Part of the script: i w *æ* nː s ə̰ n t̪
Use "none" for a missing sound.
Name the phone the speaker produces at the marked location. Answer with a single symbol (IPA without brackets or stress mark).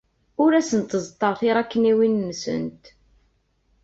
i